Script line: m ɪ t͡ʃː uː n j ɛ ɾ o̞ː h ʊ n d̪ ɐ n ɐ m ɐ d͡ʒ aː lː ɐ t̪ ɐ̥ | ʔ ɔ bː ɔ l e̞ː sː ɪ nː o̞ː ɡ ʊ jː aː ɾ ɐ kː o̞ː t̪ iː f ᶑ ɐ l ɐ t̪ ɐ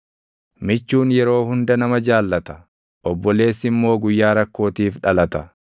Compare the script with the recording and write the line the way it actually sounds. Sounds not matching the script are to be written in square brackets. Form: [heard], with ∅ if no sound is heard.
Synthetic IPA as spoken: m ɪ t͡ʃː uː n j ɛ ɾ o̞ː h ʊ n d̪ ɐ n ɐ m ɐ d͡ʒ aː lː ɐ t̪ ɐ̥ | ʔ ɔ bː ɔ l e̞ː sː ɪ [mː] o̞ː ɡ ʊ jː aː ɾ ɐ kː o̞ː t̪ iː f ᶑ ɐ l ɐ t̪ ɐ

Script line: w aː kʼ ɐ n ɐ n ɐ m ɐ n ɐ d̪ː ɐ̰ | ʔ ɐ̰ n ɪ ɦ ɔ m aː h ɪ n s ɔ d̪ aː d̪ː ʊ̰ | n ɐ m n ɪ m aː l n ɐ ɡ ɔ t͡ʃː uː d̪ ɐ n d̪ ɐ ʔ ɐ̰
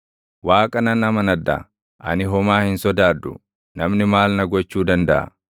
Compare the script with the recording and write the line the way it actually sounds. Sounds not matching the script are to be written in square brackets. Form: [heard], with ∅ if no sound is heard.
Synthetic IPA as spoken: w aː kʼ ɐ n ɐ n ɐ m ɐ n ɐ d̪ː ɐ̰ | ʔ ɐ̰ n ɪ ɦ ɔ m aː h ɪ n s ɔ d̪ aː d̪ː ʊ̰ | n ɐ m n ɪ m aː l n ɐ ɡ ɔ t͡ʃː uː d̪ ɐ n d̪ ɐ ʔ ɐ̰

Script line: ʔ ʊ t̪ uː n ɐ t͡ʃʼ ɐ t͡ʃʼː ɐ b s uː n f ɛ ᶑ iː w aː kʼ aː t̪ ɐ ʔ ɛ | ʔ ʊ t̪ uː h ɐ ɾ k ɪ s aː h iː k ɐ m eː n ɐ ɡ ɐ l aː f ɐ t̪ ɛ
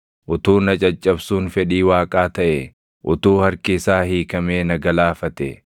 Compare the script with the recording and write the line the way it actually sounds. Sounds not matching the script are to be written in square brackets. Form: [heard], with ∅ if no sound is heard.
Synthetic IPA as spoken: ʔ ʊ t̪ uː n ɐ t͡ʃʼ ɐ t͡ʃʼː ɐ b s uː n f ɛ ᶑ iː w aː kʼ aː t̪ ɐ ʔ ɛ | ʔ ʊ t̪ uː h ɐ ɾ k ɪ s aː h iː k ɐ m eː n ɐ ɡ ɐ l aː f ɐ t̪ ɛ

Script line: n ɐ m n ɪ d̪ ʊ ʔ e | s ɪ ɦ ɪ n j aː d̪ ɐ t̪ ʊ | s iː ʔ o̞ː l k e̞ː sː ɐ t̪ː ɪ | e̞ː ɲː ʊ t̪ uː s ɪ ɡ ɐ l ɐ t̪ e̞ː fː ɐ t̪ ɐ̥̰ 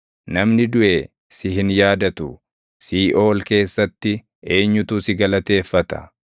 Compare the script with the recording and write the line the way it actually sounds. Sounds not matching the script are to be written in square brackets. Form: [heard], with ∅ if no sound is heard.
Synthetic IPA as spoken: n ɐ m n ɪ d̪ ʊ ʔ e | s ɪ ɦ ɪ n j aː d̪ ɐ t̪ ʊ | s iː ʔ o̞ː l k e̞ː sː ɐ t̪ː ɪ | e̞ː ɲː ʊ t̪ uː s ɪ ɡ ɐ l ɐ t̪ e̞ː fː ɐ t̪ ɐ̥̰

